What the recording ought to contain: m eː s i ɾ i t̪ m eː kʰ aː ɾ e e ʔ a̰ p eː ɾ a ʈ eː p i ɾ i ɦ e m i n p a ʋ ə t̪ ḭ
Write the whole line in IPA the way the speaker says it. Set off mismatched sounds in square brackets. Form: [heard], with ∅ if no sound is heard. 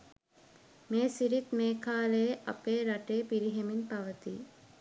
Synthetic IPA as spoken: m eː s i ɾ i t̪ m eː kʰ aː [l] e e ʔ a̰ p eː ɾ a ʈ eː p i ɾ i ɦ e m i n p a ʋ ə t̪ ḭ